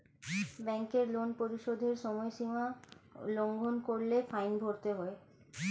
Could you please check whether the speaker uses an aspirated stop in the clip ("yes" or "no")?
no